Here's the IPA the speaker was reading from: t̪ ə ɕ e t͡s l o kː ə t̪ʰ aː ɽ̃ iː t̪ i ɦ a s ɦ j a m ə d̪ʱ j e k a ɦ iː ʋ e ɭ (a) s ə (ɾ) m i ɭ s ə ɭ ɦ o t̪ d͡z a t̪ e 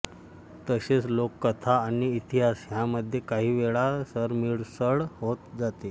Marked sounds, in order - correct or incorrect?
correct, correct

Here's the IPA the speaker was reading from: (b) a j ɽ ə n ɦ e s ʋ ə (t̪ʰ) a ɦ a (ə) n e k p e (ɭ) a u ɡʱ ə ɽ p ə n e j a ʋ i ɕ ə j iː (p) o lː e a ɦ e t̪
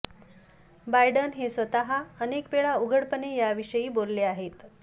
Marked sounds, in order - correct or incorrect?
correct, incorrect: t̪, correct, correct, incorrect: b

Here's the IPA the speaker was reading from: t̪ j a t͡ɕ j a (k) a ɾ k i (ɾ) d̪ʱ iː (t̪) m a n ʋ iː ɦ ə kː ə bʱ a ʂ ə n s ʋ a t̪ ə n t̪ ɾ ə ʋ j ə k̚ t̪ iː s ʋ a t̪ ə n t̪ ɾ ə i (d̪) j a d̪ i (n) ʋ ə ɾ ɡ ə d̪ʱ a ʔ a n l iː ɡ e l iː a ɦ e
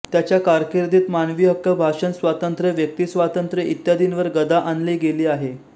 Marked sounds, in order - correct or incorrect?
correct, correct, correct, incorrect: t̪, correct

